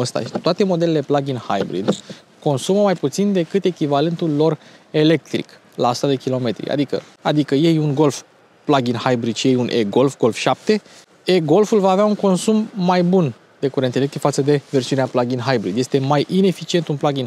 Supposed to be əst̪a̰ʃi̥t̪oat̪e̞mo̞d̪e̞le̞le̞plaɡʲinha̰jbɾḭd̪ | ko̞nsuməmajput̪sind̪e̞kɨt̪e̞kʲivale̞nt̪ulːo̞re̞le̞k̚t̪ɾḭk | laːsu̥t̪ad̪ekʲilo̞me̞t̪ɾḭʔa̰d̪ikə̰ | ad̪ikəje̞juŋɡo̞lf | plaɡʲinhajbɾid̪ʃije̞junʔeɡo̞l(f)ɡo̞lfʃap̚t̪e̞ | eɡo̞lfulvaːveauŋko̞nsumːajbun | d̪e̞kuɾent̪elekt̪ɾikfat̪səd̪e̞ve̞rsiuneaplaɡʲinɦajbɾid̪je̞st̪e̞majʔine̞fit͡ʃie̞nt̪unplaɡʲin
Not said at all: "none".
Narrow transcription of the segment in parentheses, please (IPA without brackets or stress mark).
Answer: f